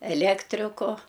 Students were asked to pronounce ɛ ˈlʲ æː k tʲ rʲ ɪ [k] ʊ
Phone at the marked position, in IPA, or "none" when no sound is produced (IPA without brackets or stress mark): k